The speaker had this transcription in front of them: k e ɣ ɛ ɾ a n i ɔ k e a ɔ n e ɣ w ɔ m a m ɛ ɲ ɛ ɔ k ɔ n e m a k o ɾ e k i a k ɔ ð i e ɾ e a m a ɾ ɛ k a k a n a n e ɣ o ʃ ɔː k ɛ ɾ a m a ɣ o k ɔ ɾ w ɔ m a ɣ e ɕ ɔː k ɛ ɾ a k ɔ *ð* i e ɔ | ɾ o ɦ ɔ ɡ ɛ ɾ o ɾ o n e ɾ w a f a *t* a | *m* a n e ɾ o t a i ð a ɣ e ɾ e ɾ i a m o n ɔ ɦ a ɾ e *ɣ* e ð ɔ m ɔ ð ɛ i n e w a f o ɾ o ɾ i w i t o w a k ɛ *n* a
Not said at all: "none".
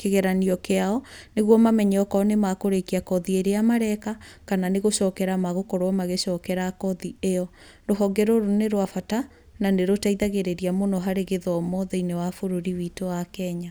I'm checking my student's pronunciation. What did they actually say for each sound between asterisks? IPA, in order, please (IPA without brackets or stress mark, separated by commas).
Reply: ð, t, n, ɣ, ɲ